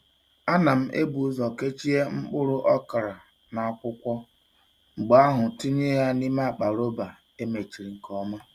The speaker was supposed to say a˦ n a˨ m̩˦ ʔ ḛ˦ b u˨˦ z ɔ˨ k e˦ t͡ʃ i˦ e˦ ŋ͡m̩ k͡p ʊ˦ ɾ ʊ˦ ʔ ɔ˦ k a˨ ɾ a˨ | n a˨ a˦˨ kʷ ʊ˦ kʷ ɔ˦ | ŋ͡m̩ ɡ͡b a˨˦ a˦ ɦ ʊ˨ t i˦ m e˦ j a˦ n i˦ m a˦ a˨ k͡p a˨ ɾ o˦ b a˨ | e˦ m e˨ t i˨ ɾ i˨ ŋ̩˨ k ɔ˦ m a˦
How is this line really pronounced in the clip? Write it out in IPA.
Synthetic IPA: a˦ n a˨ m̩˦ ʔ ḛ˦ b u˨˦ z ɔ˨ k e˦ t͡ʃ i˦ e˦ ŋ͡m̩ k͡p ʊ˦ ɾ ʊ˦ ʔ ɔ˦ k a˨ ɾ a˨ | n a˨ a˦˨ kʷ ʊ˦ kʷ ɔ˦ | ŋ͡m̩ ɡ͡b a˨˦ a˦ ɦ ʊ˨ t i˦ ɲ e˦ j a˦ n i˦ m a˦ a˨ k͡p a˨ ɾ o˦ b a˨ | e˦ m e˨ t͡ʃ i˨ ɾ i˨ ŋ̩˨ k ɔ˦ m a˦